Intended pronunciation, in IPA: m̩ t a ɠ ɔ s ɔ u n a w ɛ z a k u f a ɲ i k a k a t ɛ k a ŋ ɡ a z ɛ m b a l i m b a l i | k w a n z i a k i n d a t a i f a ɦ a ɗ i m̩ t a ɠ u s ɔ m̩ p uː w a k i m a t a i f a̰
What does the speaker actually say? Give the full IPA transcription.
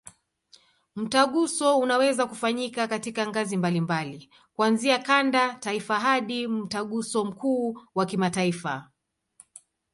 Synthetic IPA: m̩ t a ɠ u s ɔ u n a w ɛ z a k u f a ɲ i k a k a t i k a ŋ ɡ a z i m b a l i m b a l i | k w a n z i a k a n d a t a i f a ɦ a ɗ i m̩ t a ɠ u s ɔ m̩ k uː w a k i m a t a i f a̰